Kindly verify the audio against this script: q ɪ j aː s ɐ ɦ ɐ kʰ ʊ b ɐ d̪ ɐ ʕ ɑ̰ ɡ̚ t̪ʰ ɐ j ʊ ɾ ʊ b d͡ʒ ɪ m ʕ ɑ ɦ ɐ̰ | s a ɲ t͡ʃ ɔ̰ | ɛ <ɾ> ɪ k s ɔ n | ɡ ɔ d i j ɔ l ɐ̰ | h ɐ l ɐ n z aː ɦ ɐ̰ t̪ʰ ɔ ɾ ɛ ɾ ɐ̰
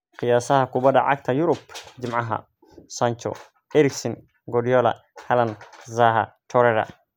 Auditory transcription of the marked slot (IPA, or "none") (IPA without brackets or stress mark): ɾ